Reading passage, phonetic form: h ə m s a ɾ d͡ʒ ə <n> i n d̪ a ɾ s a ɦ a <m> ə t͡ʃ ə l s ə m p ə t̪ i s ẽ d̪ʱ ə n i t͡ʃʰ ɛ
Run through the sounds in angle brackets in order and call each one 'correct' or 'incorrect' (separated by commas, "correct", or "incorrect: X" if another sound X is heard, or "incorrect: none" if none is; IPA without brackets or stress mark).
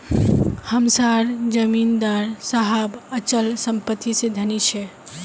incorrect: m, incorrect: b